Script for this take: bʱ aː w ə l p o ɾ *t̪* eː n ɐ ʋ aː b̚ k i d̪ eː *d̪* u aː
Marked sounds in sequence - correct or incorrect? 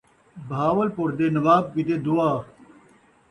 incorrect: d̪, correct

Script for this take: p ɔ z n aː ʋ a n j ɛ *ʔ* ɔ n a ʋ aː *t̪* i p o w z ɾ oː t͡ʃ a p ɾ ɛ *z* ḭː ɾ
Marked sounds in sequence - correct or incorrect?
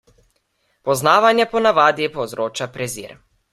incorrect: p, incorrect: d̪, correct

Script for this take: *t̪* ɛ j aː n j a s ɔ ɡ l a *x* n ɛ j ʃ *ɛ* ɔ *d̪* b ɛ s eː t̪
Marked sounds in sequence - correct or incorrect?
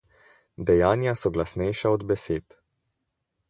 incorrect: d̪, incorrect: s, incorrect: a, correct

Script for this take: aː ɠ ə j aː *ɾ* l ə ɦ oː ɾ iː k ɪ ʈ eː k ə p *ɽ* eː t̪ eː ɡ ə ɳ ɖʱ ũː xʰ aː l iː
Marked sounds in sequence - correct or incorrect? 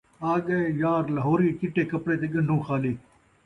correct, correct

